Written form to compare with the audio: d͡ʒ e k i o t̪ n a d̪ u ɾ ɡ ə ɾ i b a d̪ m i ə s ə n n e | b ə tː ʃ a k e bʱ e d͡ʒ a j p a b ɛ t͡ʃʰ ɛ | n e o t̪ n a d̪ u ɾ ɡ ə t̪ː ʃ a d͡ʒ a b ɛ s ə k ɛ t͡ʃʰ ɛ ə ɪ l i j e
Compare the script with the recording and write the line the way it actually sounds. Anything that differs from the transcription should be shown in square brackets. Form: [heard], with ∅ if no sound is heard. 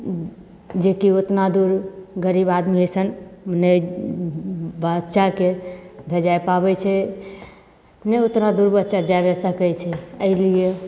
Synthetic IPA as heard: d͡ʒ e k i o t̪ n a d̪ u ɾ ɡ ə ɾ i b a d̪ m i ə s ə n n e | b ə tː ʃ a k e bʱ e d͡ʒ a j p a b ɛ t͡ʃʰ ɛ | n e o t̪ n a d̪ u ɾ [b] ə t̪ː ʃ a d͡ʒ a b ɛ s ə k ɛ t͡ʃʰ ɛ ə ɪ l i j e